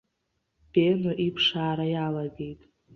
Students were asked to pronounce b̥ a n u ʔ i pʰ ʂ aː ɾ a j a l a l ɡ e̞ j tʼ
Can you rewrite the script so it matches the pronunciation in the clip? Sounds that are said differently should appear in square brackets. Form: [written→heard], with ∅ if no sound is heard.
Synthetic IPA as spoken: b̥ [a→e] n [u→o] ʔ i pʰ ʂ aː ɾ a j a l a [l→∅] ɡ e̞ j tʼ